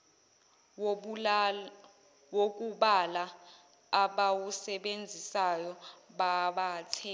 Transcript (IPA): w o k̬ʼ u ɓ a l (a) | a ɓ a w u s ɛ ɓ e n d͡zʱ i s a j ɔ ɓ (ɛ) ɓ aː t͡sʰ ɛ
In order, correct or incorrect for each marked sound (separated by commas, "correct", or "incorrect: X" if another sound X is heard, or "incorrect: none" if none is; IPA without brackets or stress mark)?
correct, incorrect: a